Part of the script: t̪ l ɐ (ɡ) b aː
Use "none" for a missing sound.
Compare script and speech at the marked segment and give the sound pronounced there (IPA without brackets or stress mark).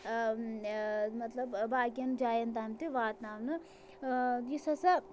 b